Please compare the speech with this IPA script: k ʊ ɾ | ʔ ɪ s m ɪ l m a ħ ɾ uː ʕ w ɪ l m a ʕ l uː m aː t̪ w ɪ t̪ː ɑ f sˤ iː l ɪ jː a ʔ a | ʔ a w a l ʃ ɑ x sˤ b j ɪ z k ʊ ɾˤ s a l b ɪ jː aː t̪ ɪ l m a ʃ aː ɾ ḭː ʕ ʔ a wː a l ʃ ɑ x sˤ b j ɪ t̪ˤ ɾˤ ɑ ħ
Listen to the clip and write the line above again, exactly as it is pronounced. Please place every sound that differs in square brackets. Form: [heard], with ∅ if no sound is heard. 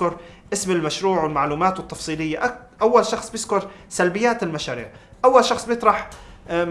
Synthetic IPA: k ʊ ɾ | ʔ ɪ s m ɪ l m a [ʃ] ɾ uː ʕ w ɪ l m a ʕ l uː m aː t̪ w ɪ t̪ː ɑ f sˤ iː l ɪ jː a ʔ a | ʔ a [wː] a l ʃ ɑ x sˤ b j ɪ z k ʊ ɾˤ s a l b ɪ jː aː t̪ ɪ l m a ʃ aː ɾ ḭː ʕ ʔ a wː a l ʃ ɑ x sˤ b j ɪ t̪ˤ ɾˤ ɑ ħ